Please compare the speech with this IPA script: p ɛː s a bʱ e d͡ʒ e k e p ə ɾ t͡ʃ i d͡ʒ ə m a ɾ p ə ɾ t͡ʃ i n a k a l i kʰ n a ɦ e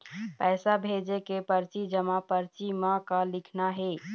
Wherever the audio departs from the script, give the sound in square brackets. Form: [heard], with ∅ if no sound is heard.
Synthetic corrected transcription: p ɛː s a bʱ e d͡ʒ e k e p ə ɾ t͡ʃ i d͡ʒ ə m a [∅] p ə ɾ t͡ʃ i [m] a k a l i kʰ n a ɦ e